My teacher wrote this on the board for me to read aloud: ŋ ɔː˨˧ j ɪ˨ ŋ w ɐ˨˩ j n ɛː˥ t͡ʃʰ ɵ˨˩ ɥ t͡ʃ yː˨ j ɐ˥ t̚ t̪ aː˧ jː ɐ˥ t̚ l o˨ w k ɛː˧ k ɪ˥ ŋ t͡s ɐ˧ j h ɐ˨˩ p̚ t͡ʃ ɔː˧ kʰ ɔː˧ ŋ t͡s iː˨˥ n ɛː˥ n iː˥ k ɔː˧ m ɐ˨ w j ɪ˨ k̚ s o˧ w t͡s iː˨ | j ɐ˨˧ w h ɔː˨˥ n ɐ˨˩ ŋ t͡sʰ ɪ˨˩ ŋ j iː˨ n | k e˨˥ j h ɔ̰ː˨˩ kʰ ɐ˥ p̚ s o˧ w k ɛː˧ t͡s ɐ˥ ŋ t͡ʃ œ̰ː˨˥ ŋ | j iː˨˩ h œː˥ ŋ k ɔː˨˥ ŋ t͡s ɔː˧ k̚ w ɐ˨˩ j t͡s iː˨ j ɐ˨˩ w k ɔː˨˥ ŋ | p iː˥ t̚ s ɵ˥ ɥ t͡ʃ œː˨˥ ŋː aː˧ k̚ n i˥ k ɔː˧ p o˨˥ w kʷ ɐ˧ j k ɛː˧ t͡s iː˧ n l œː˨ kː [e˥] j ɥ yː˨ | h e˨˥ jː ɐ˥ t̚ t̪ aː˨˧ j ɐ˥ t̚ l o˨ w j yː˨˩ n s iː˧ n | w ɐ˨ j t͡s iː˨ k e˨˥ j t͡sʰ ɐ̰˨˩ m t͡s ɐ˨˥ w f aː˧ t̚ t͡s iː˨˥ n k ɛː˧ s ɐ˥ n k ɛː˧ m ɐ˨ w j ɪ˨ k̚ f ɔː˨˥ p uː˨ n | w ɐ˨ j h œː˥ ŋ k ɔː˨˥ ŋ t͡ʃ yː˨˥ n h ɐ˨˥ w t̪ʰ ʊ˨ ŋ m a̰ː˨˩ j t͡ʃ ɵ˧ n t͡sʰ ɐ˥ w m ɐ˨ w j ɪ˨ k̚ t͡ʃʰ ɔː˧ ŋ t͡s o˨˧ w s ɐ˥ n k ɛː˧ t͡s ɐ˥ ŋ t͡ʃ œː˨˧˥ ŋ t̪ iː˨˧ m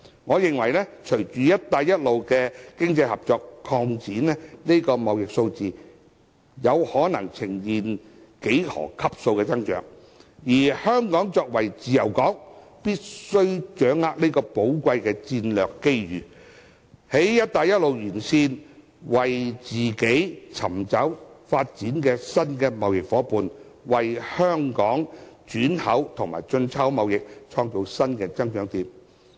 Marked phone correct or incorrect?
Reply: correct